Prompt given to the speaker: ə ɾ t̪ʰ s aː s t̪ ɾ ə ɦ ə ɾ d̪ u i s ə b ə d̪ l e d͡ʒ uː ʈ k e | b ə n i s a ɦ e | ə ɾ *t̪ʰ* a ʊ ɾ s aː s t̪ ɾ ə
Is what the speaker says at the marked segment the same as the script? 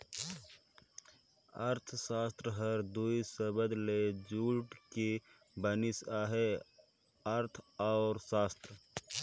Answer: yes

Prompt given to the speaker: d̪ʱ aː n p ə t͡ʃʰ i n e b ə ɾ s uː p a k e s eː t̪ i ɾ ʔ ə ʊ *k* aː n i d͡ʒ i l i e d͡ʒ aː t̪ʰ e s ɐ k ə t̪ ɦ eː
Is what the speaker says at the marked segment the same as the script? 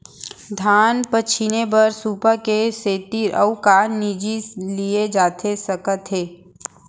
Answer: yes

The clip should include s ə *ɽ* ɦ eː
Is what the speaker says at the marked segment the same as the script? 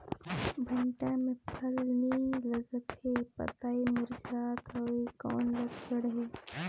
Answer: yes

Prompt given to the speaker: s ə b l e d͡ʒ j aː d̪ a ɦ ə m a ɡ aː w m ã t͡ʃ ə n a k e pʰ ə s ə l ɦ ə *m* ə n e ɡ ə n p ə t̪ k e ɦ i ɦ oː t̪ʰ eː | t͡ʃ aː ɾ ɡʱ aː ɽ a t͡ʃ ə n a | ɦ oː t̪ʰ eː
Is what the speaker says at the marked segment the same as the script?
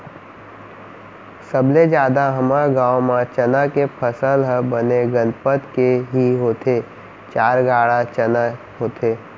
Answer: no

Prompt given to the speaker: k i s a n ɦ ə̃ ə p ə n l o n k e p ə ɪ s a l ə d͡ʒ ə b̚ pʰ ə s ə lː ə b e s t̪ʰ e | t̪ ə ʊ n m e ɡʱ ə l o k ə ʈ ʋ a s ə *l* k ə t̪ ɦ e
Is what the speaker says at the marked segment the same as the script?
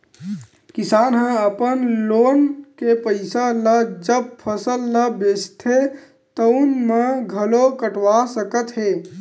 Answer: no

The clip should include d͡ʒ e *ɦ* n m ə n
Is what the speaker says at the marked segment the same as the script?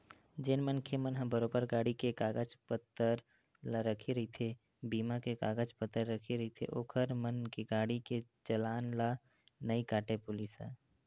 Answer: no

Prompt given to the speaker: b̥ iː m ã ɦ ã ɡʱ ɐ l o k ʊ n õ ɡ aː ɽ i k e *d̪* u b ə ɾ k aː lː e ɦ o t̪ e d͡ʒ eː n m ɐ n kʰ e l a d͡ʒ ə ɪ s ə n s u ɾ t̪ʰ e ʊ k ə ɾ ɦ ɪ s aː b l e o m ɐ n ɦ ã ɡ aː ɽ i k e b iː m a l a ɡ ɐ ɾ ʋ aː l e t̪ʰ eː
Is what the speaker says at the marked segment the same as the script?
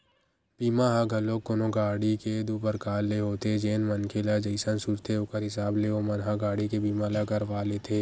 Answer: yes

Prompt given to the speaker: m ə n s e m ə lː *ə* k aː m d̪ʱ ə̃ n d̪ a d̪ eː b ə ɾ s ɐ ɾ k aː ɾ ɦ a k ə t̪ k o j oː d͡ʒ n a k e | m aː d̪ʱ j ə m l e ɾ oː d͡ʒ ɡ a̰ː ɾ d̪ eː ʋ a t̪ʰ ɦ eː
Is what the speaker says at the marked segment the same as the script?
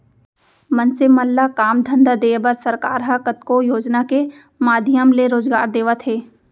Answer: no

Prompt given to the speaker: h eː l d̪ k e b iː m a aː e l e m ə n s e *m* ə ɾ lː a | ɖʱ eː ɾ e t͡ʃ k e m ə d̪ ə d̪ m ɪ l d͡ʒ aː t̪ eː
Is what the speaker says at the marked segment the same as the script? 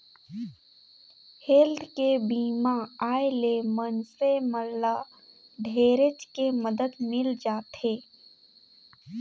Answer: yes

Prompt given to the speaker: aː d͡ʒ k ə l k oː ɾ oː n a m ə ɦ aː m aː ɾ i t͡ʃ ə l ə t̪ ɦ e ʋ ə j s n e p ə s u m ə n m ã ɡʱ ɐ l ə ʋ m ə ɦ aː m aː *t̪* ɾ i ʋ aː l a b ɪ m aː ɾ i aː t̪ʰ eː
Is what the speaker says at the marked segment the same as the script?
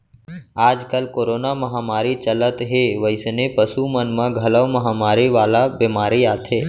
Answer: no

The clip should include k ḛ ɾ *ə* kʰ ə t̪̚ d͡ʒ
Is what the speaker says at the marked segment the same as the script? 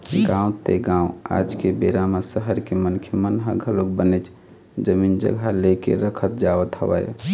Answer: yes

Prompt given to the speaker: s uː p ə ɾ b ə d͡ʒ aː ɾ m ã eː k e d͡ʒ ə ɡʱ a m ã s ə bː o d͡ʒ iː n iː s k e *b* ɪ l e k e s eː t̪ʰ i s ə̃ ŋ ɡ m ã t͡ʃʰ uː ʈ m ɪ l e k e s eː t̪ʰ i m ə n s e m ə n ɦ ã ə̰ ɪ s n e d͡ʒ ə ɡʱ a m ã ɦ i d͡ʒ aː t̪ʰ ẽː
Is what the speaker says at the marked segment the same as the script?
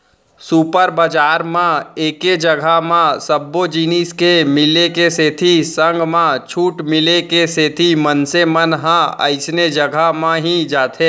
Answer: no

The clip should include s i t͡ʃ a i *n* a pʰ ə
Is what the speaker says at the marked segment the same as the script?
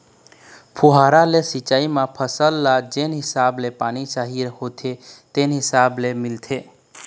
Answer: no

